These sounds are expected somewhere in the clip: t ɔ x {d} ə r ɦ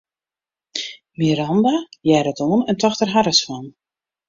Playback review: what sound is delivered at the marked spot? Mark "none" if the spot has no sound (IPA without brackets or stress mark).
t